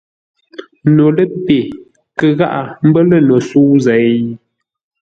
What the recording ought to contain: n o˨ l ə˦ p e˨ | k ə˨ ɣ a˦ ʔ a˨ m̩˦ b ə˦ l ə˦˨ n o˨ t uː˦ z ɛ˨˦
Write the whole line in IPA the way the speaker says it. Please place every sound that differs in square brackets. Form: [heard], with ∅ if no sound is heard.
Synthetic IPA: n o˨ l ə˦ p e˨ | k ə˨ ɣ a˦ ʔ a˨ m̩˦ b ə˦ l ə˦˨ n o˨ [s] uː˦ z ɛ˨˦